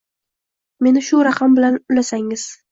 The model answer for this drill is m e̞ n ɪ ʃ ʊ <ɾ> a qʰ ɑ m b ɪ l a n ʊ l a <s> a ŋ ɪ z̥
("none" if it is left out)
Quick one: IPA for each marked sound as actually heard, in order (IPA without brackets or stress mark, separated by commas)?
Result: ɾ, s